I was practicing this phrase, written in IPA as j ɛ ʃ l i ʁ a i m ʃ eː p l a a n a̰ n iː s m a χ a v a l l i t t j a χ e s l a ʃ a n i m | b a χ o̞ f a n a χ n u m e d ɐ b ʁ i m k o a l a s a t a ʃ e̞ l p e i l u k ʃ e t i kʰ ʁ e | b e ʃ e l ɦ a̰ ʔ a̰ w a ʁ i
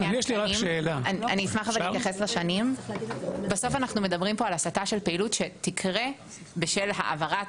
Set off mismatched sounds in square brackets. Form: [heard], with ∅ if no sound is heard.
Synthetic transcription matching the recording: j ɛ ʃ l i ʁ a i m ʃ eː [∅] l a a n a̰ n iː s m a χ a v a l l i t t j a χ e s l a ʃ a n i m | b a [s] o̞ f a n a χ n u m e d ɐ b ʁ i m [p] o a l a s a t a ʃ e̞ l p e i l u [t] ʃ e t i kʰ ʁ e | b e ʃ e l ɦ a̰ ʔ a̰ [v] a ʁ [a]